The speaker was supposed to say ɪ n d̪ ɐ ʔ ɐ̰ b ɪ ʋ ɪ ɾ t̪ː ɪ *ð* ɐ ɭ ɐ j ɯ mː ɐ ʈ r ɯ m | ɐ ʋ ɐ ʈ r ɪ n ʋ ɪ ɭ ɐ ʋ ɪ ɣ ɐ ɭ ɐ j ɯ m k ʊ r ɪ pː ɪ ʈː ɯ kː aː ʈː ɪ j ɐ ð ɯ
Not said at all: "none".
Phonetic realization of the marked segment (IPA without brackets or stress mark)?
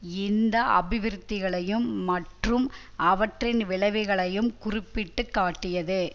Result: ɣ